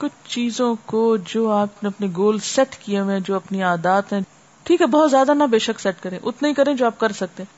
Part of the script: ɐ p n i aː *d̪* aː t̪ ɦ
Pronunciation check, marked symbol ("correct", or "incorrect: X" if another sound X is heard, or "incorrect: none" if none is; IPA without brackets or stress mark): correct